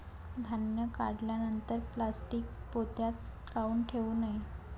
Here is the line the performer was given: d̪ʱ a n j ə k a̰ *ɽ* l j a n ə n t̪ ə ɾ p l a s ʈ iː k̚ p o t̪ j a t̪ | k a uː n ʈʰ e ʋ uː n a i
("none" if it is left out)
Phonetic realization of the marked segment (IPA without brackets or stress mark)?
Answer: ɽ